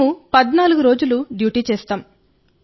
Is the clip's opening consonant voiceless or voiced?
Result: voiceless